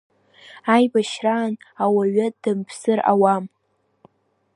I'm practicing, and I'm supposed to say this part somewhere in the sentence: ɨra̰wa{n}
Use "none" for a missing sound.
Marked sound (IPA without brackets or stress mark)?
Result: m